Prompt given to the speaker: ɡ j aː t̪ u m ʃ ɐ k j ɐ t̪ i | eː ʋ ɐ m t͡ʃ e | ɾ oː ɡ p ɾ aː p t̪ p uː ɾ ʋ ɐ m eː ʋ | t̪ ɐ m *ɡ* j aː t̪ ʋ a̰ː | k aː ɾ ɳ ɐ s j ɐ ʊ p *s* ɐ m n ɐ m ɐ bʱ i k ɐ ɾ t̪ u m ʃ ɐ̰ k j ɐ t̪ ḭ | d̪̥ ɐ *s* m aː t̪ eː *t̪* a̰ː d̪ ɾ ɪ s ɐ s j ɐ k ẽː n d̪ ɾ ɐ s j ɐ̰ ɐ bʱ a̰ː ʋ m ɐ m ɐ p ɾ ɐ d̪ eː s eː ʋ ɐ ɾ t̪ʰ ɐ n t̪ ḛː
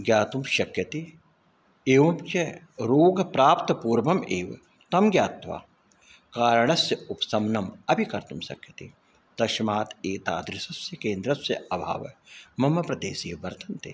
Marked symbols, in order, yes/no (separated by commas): yes, yes, no, yes